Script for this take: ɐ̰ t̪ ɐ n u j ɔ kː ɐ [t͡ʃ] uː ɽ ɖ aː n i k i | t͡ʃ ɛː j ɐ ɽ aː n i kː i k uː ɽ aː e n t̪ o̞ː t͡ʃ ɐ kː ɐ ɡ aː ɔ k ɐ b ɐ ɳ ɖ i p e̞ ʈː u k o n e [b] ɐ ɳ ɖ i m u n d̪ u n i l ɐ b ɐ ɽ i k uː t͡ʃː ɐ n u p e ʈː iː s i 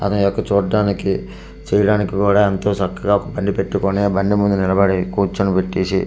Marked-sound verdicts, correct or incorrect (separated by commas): correct, correct